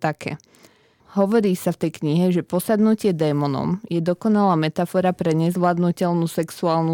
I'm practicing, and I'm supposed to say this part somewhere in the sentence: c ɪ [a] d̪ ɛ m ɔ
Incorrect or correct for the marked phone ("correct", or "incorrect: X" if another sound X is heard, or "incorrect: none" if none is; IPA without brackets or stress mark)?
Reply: incorrect: ɛ